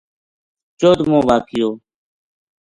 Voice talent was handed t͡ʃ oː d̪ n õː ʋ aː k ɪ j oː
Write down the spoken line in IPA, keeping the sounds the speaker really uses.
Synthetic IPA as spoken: t͡ʃ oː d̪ m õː ʋ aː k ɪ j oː